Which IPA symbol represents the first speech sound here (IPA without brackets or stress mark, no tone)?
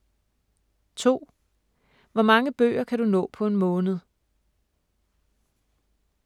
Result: t͡sʰ